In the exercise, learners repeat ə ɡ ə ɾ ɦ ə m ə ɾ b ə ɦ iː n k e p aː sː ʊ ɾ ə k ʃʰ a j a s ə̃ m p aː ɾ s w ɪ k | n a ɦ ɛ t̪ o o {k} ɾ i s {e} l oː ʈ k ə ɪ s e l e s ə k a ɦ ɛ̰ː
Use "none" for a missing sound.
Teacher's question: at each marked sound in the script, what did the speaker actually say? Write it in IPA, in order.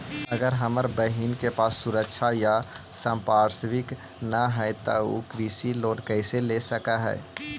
k, i

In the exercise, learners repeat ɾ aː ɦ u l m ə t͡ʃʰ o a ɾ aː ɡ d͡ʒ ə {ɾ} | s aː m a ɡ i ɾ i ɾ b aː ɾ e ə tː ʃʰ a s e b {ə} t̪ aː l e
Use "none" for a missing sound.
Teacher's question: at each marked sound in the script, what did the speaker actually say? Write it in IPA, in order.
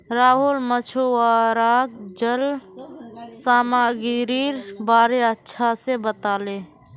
l, ə

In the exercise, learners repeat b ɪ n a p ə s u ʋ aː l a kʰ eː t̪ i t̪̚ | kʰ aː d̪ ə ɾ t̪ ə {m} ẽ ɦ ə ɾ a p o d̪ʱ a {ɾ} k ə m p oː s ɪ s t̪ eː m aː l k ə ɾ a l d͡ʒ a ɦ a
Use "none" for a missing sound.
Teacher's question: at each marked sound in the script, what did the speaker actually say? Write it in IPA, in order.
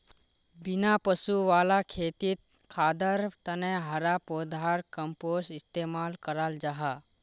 n, ɾ

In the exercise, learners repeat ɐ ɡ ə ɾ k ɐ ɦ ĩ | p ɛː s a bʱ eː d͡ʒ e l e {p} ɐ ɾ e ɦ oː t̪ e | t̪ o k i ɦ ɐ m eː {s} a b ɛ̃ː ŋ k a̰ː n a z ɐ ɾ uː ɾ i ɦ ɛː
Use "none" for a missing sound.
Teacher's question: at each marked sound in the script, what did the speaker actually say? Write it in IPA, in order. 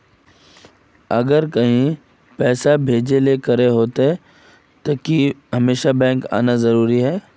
k, ʃ

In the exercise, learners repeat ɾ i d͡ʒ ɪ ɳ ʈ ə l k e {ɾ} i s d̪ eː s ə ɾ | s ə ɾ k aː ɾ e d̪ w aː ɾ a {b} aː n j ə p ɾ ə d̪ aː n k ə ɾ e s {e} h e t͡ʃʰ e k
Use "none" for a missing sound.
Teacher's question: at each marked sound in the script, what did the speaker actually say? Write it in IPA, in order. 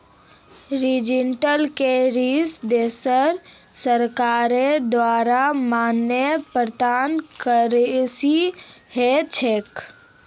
ɾ, m, i

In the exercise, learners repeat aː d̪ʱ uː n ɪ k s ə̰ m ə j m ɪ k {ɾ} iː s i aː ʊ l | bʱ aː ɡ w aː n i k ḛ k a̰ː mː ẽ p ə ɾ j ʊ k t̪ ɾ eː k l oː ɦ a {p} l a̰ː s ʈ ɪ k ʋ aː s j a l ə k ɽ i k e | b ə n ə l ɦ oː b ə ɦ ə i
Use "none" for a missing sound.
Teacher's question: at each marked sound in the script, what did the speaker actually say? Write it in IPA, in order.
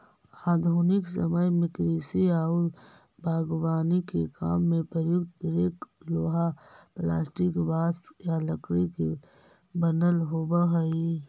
ɾ, p

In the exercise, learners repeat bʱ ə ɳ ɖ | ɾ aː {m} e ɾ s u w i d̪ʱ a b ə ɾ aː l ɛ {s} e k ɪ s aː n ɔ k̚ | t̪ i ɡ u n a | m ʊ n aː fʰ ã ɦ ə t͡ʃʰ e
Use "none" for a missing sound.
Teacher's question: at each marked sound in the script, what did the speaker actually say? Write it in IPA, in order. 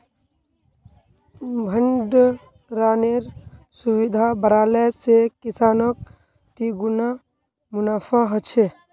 n, s

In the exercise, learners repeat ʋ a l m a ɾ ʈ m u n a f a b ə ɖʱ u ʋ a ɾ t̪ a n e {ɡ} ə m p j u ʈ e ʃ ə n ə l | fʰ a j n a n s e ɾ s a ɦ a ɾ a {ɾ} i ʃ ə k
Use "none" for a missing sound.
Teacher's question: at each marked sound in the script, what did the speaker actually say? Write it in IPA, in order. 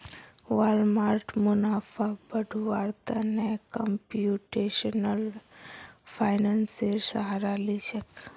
k, l

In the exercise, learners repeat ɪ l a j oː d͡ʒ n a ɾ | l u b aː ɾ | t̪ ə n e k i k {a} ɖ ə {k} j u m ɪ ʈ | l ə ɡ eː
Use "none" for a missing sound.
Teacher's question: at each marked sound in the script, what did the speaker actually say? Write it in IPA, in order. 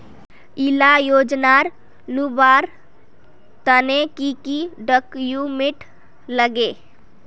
i, k

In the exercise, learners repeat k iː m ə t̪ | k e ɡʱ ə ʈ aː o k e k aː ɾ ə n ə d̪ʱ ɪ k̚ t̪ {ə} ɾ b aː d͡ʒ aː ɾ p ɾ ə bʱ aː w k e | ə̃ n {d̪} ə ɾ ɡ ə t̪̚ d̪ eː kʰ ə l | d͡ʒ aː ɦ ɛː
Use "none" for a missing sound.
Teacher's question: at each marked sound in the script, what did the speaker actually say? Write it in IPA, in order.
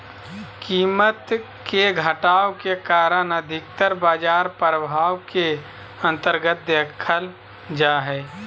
ə, t̪

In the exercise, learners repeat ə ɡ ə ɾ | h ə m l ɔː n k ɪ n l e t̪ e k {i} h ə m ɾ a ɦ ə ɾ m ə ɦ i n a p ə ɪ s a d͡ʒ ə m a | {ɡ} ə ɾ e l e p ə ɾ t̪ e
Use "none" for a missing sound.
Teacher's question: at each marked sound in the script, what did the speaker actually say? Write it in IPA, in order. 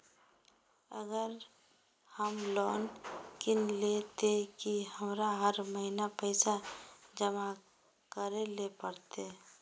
i, k

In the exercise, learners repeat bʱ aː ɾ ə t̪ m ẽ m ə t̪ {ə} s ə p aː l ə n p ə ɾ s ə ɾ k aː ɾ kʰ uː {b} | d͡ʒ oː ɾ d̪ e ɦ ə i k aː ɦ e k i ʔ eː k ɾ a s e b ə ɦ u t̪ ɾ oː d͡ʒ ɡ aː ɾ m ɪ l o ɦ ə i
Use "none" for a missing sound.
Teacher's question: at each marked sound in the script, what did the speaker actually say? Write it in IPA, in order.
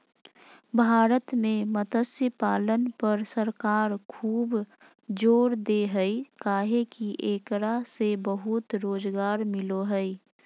ə, b

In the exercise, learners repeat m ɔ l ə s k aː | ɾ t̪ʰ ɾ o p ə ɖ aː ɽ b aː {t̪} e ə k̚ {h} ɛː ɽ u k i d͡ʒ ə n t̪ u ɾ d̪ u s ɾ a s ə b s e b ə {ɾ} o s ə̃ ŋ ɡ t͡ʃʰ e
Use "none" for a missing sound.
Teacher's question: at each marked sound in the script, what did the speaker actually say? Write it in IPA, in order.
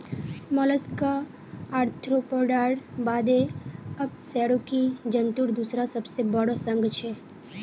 d̪, s, ɽ

